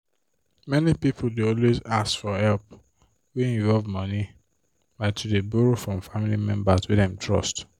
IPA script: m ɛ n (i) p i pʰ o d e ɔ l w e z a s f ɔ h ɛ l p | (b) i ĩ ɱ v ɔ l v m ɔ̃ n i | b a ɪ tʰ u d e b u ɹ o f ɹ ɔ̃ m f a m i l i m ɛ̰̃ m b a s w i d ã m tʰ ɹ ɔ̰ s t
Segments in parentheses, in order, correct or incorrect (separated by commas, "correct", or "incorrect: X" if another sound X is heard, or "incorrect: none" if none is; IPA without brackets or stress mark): correct, incorrect: w